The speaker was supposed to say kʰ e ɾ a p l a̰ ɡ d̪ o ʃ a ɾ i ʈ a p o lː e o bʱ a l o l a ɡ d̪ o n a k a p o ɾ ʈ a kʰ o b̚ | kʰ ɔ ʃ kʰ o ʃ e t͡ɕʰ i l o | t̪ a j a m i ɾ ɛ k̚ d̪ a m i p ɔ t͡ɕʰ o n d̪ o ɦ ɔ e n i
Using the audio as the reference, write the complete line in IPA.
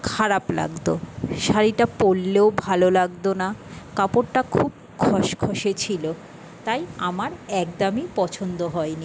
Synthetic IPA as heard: kʰ a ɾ a p l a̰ ɡ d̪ o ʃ a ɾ i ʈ a p o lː e o bʱ a l o l a ɡ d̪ o n a k a p o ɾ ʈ a kʰ u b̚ | kʰ ɔ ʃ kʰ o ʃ e t͡ɕʰ i l o | t̪ a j a m a ɾ ɛ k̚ d̪ a m i p ɔ t͡ɕʰ o n d̪ o ɦ ɔ e n i